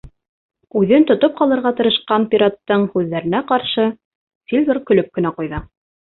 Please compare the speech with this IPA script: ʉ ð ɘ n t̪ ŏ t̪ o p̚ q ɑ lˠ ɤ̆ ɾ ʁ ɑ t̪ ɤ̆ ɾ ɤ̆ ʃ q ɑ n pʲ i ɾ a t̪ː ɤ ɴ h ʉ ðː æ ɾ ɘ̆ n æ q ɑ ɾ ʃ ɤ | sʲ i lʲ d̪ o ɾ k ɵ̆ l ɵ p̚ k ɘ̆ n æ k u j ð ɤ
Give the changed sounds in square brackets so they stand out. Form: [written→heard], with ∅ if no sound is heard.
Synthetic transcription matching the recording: ʉ ð ɘ n t̪ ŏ t̪ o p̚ q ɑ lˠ ɤ̆ ɾ ʁ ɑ t̪ ɤ̆ ɾ ɤ̆ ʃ q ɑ n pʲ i ɾ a t̪ː ɤ ɴ h ʉ ðː æ ɾ ɘ̆ n æ q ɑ ɾ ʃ ɤ | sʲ i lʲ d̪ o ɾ k ɵ̆ l ɵ p̚ k ɘ̆ n æ [k→q] u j ð ɤ